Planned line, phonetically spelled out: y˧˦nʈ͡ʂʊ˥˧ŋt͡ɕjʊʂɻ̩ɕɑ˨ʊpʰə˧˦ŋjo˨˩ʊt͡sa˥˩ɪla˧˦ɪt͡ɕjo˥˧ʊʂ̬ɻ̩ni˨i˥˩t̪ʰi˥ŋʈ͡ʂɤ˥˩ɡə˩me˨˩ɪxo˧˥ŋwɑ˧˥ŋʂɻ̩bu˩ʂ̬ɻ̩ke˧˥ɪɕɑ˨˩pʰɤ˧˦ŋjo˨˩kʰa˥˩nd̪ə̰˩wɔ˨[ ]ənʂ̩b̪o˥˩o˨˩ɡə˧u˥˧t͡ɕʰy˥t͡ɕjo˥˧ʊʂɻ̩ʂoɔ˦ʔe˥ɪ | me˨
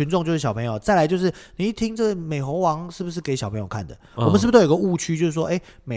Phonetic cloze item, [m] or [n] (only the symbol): m